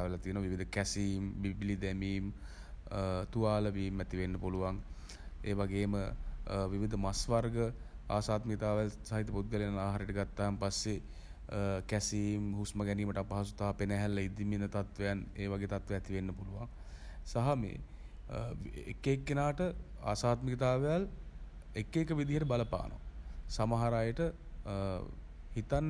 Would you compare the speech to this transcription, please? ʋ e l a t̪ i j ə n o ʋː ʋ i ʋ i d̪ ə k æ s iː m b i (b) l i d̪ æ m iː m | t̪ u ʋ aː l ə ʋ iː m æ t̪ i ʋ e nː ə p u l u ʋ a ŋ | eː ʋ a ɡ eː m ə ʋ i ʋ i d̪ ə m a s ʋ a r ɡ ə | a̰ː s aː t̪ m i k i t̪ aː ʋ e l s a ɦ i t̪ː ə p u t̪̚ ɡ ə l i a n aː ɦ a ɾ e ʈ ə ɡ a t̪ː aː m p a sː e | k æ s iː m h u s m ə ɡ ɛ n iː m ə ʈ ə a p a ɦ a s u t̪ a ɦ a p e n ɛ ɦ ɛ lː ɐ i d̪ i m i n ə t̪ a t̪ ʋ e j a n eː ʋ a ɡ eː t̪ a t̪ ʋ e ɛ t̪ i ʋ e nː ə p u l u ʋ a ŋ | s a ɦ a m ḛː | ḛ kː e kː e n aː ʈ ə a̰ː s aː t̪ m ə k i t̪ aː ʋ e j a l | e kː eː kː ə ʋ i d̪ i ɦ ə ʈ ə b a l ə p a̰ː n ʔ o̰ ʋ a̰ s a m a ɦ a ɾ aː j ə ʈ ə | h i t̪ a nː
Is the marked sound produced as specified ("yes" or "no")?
yes